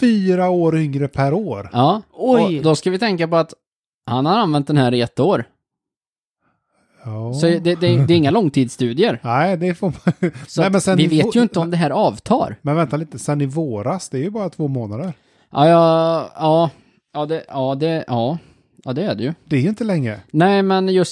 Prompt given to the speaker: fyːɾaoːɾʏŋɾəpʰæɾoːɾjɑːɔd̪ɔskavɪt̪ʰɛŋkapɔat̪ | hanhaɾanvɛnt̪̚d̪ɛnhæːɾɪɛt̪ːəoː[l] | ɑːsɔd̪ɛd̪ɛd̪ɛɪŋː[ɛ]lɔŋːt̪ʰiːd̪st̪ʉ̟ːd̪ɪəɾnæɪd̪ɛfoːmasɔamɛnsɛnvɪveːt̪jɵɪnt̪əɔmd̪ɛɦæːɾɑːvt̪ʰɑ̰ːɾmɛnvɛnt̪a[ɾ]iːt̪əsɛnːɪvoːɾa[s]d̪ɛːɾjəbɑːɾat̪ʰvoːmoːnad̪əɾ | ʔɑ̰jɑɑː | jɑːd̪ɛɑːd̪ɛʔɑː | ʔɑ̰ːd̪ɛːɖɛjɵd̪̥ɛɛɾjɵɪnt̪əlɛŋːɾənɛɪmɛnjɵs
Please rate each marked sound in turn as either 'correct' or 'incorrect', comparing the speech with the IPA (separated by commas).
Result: incorrect, incorrect, incorrect, correct